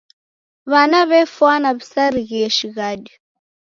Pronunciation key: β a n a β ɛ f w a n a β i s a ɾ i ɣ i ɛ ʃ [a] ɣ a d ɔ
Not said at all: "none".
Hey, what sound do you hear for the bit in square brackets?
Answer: i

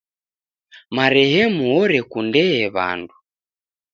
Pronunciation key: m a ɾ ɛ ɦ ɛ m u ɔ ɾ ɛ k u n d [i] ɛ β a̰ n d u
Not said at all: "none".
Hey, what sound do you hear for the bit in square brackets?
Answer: ɛ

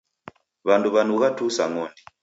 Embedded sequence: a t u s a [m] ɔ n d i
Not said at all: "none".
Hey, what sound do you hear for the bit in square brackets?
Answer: ŋ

